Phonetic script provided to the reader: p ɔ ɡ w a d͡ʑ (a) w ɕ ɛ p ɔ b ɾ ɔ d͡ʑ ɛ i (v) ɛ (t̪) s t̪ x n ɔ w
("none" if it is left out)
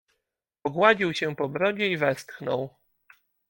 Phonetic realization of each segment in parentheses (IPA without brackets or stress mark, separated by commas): i, v, none